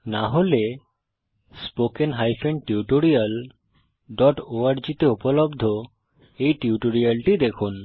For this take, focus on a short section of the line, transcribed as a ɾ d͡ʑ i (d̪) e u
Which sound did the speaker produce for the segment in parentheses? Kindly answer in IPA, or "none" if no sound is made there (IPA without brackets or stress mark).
t̪